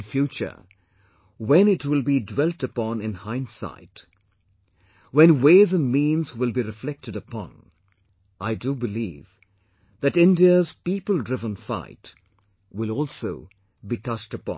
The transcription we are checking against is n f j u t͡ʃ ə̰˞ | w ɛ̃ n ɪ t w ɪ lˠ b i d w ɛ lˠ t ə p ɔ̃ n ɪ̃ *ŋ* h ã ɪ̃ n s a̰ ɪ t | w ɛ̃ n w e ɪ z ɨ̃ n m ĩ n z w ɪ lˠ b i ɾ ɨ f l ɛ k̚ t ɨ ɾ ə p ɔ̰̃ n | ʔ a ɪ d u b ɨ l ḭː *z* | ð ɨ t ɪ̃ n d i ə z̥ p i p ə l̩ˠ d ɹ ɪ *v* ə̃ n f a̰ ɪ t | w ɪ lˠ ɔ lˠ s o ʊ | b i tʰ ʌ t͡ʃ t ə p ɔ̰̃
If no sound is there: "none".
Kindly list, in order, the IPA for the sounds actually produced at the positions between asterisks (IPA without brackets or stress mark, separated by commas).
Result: n, v, v